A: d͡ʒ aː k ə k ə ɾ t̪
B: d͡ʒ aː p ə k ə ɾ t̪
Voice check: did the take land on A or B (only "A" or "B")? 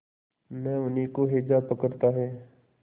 B